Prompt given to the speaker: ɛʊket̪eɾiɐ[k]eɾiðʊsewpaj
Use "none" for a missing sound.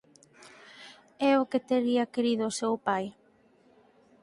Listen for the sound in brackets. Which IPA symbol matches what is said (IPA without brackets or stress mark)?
k